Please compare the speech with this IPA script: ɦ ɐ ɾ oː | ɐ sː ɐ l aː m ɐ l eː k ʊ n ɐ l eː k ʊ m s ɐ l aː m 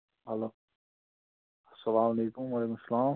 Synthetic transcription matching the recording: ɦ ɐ l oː | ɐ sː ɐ l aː m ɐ l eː k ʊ m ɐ l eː k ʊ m s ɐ l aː m